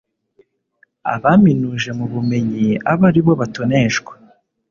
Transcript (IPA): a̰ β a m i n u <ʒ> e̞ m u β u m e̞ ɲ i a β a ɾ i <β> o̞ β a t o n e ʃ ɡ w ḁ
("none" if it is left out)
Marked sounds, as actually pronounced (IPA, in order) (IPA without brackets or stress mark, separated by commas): ʒ, β